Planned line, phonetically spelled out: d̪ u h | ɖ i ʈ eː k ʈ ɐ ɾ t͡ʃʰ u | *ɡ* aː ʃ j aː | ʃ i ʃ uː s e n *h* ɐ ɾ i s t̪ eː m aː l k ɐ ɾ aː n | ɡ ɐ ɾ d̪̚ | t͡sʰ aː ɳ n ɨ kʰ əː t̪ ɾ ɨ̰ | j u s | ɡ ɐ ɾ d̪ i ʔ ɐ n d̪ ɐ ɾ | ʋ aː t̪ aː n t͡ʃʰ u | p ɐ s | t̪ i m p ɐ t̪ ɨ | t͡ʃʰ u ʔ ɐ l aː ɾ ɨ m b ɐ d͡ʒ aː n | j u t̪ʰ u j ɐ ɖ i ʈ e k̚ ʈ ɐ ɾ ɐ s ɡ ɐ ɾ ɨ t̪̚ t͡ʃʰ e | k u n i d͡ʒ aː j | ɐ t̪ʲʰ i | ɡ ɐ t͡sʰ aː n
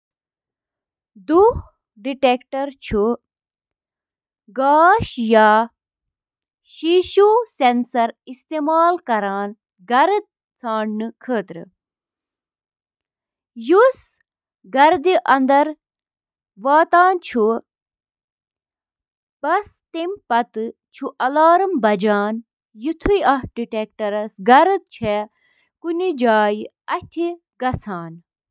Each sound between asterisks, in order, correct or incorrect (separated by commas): correct, incorrect